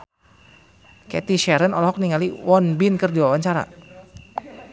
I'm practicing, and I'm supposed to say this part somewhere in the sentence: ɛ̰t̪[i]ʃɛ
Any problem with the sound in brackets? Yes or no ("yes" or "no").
no